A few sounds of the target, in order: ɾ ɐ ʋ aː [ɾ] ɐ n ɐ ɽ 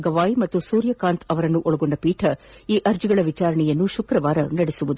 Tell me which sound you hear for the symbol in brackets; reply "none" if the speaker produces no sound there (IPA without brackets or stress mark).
ɾ